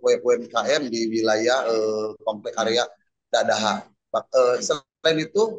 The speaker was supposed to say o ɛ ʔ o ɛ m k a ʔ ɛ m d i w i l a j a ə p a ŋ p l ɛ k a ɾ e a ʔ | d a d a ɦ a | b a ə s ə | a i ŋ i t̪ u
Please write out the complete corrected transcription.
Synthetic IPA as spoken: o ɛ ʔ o ɛ m k a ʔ ɛ m d i w i l a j a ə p a m p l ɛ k a ɾ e a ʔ | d a d a ɦ a | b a ə s ə | a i n i t̪ u

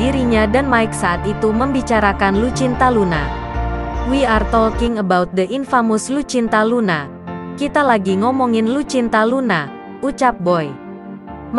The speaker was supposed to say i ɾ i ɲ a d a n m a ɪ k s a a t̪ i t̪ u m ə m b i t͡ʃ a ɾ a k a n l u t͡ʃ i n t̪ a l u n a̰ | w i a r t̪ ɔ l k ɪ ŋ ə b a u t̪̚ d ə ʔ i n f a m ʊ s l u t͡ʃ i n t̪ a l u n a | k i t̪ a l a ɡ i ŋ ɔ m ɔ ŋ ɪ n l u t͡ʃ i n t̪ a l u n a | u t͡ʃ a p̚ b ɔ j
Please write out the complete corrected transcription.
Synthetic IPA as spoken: i ɾ i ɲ a d a n m a ɪ k s a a t̪ i t̪ u m ə m b i t͡ʃ a ɾ a k a n l u t͡ʃ i n t̪ a l u n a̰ | w i a r t̪ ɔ l k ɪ ŋ ə b a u t̪̚ d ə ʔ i n f a m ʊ s l u t͡ʃ i n t̪ a l u n a | k i t̪ a l a ɡ i ŋ ɔ m ɔ ŋ ɪ n l u t͡ʃ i n t̪ a l u n a | u t͡ʃ a p̚ b ɔ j

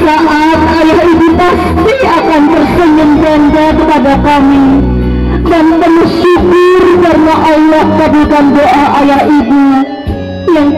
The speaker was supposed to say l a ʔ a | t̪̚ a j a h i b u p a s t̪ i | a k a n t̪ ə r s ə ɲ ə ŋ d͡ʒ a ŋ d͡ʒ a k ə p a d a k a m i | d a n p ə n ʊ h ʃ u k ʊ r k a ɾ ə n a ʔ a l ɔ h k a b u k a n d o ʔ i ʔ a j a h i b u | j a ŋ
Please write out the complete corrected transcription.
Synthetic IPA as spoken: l a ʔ a | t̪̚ a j a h i b u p a s t̪ i | a k a n t̪ ə r s ə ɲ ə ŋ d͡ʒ a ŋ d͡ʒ a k ə p a d a k a m i | d a n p ə n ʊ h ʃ u k ʊ r k a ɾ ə n a ʔ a l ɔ h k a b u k a n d o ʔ a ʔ a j a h i b u | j a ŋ

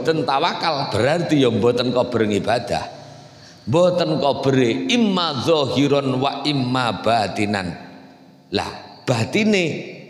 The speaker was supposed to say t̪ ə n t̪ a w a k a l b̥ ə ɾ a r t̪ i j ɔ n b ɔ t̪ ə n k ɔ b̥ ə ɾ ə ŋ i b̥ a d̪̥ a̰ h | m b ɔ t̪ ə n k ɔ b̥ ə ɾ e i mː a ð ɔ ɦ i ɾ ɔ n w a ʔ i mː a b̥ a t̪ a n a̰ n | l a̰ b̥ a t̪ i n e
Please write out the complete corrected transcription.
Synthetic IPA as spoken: t̪ ə n t̪ a w a k a l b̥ ə ɾ a r t̪ i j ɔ m b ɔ t̪ ə n k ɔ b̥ ə ɾ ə ŋ i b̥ a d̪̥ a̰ h | m b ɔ t̪ ə n k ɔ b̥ ə ɾ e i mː a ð ɔ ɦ i ɾ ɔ n w a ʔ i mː a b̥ a t̪ i n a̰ n | l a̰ b̥ a t̪ i n e

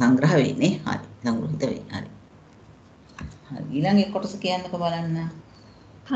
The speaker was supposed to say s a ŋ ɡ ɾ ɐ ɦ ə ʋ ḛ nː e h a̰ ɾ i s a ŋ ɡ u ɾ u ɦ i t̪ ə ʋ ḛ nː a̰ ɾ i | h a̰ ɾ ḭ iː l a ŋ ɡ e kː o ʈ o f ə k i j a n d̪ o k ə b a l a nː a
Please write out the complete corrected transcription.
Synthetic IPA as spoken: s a ŋ ɡ ɾ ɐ ɦ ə ʋ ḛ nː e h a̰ ɾ i s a ŋ ɡ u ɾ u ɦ i t̪ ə ʋ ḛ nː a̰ ɾ i | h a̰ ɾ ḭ iː l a ŋ ɡ e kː o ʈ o s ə k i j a n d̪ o k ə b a l a nː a

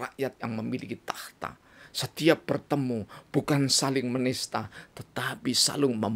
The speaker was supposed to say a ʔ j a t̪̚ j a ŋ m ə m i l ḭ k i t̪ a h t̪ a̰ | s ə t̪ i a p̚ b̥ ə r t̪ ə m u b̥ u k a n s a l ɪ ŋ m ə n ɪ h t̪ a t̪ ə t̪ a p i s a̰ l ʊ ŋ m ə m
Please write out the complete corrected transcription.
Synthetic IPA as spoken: a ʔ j a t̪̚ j a ŋ m ə m i l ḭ k i t̪ a h t̪ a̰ | s ə t̪ i a p̚ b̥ ə r t̪ ə m u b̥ u k a n s a l ɪ ŋ m ə n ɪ s t̪ a t̪ ə t̪ a p i s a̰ l ʊ ŋ m ə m

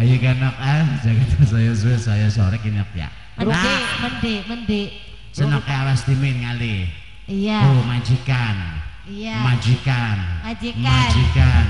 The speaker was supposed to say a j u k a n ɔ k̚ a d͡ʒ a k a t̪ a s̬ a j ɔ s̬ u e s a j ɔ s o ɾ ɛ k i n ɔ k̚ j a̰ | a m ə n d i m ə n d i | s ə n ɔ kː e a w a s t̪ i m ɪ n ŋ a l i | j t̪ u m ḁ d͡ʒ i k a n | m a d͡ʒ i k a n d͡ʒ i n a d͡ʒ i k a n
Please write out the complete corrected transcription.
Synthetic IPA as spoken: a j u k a n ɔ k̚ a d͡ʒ a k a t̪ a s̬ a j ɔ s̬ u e s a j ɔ s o ɾ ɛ k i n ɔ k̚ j a̰ | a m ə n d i m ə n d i | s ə n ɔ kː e a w a s t̪ i m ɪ n ŋ a l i | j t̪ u m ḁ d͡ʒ i k a n | m a d͡ʒ i k a n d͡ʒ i m a d͡ʒ i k a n

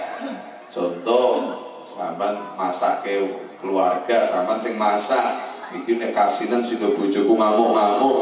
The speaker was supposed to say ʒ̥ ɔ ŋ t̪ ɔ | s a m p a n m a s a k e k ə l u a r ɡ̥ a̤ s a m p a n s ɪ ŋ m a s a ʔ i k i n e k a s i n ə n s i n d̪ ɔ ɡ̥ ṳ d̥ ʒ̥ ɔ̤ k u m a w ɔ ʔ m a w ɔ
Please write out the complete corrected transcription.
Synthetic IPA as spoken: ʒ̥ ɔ n t̪ ɔ | s a m p a n m a s a k e k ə l u a r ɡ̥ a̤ s a m p a n s ɪ ŋ m a s a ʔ i k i n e k a s i n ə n s i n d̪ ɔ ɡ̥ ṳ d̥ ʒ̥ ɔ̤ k u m a w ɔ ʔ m a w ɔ

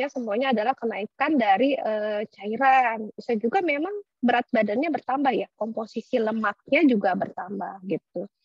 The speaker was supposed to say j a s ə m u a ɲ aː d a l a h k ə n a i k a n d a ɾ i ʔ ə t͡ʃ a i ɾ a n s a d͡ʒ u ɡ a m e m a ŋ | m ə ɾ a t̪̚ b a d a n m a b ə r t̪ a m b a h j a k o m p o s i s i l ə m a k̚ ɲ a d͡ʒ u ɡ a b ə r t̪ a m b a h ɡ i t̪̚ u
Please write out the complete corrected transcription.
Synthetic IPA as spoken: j a s ə m u a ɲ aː d a l a h k ə n a i k a n d a ɾ i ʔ ə t͡ʃ a i ɾ a n s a d͡ʒ u ɡ a m e m a ŋ | b ə ɾ a t̪̚ b a d a n ɲ a b ə r t̪ a m b a h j a k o m p o s i s i l ə m a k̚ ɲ a d͡ʒ u ɡ a b ə r t̪ a m b a h ɡ i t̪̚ u

